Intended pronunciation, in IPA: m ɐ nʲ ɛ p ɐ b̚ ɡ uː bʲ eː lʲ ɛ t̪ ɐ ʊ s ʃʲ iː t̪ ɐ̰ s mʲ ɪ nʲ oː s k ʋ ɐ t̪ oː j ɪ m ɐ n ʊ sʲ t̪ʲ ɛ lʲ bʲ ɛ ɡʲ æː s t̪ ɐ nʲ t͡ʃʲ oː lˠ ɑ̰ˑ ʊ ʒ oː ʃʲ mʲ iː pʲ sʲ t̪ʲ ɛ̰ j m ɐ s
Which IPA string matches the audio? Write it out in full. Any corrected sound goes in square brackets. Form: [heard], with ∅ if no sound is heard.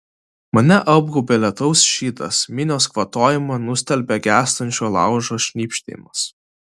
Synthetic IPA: m ɐ nʲ ɛ [ʔ] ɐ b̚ ɡ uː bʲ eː lʲ ɛ t̪ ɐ ʊ s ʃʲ iː t̪ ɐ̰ s mʲ ɪ nʲ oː s k ʋ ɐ t̪ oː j ɪ m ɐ n ʊ sʲ t̪ʲ ɛ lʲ bʲ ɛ ɡʲ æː s t̪ ɐ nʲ t͡ʃʲ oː lˠ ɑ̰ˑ ʊ ʒ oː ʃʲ [nʲ] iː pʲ [ʃʲ] t̪ʲ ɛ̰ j m ɐ s